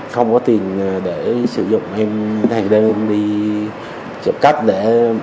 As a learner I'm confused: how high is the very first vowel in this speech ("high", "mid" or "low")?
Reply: mid